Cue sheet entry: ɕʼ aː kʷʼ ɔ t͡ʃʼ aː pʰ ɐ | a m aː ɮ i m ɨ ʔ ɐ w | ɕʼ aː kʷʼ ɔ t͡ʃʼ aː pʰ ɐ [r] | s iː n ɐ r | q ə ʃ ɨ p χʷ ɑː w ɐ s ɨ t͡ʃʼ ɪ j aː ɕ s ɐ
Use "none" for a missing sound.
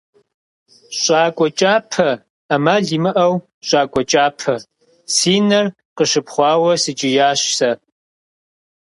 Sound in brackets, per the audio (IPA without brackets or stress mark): none